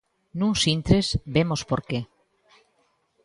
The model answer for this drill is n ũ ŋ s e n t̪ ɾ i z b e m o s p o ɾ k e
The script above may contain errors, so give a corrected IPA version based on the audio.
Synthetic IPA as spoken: n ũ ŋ s i n t̪ ɾ e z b e m o s p o ɾ k e